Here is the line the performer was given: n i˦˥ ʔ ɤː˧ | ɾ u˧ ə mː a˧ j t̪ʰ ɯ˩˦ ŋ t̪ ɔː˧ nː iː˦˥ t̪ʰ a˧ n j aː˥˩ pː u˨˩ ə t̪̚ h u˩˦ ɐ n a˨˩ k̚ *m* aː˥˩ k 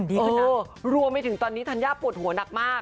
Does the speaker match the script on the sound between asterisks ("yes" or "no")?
yes